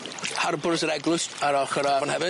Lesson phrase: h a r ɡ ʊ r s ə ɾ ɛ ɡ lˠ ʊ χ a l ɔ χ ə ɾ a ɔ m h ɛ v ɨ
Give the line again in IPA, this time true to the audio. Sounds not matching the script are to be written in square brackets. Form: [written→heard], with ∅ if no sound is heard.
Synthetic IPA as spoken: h a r [ɡ→b] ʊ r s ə ɾ ɛ ɡ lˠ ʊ [χ→s] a [l→ɾ] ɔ χ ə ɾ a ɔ [m→n] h ɛ v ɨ